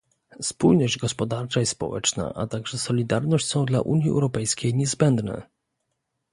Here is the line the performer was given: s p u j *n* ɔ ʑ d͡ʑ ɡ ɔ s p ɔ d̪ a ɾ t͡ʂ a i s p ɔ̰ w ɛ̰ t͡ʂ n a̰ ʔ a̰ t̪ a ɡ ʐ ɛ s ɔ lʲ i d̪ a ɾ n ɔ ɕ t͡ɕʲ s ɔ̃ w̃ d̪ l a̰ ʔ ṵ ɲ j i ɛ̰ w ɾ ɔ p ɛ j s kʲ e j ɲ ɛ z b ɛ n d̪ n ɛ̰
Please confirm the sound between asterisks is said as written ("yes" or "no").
yes